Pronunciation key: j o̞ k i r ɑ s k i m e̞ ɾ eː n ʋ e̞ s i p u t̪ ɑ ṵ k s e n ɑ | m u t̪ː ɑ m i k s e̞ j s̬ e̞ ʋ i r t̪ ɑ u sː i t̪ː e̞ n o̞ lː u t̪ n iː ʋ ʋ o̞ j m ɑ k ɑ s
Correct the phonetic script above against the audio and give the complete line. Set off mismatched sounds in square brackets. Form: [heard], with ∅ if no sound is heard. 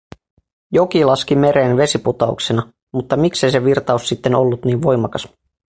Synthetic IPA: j o̞ k i [l] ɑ s k i m e̞ ɾ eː n ʋ e̞ s i p u t̪ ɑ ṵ k s e n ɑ | m u t̪ː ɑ m i k s e̞ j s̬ e̞ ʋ i r t̪ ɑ u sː i t̪ː e̞ n o̞ lː u t̪ n iː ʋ ʋ o̞ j m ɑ k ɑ s